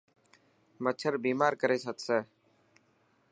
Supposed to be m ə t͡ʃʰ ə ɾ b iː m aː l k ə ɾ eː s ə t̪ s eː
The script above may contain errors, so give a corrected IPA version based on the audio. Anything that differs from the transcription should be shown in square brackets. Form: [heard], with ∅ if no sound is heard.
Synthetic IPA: m ə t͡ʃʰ ə ɾ b iː m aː [ɾ] k ə ɾ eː s ə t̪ s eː